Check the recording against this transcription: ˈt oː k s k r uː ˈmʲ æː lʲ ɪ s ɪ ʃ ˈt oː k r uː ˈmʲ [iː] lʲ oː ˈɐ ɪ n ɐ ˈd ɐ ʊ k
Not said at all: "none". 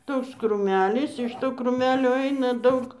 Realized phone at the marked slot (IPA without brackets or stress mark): æː